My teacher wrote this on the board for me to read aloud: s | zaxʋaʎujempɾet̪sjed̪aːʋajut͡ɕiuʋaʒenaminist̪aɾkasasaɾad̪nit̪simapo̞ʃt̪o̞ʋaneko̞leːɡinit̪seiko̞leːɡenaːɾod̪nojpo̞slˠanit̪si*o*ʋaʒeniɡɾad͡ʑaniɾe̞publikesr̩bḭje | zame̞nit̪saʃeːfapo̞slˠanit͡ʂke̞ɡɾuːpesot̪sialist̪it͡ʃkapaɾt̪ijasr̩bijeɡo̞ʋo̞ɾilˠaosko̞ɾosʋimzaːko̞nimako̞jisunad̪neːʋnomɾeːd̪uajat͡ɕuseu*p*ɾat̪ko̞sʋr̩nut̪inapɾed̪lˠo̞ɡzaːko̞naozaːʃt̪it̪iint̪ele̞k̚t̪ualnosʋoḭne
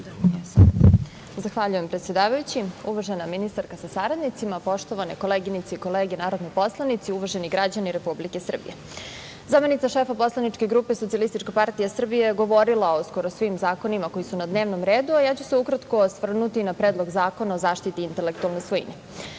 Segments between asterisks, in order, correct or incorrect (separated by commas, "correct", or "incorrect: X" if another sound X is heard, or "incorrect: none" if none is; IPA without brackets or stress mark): incorrect: u, incorrect: k